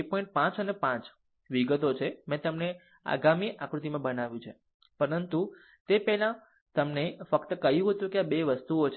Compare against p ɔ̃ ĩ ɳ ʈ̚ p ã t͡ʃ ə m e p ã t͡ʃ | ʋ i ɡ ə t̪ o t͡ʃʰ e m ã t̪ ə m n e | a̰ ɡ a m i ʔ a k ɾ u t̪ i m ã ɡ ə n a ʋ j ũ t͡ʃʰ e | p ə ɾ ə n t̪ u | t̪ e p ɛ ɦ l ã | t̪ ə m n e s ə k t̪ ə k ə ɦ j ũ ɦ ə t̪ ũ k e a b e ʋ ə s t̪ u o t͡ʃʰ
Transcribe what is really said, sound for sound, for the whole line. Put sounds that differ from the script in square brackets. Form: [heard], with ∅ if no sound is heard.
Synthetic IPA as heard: p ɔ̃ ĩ ɳ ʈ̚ p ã t͡ʃ ə [n] e p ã t͡ʃ | ʋ i ɡ ə t̪ o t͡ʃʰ e m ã t̪ ə m n e | a̰ ɡ a m i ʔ a k ɾ u t̪ i m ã [b] ə n a ʋ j ũ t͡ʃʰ e | p ə ɾ ə n t̪ u | t̪ e p ɛ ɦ l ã | t̪ ə m n e [f] ə k t̪ ə k ə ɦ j ũ ɦ ə t̪ ũ k e a b e ʋ ə s t̪ u o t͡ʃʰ